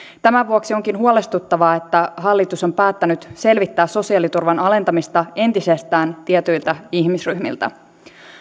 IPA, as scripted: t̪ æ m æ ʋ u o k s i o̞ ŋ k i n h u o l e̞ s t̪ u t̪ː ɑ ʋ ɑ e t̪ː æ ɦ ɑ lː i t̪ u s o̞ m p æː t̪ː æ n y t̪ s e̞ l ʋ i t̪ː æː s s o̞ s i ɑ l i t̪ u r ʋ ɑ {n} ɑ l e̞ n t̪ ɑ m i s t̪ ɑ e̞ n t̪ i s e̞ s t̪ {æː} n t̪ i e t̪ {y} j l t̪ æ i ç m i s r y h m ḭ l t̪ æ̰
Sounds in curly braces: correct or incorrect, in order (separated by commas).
correct, correct, correct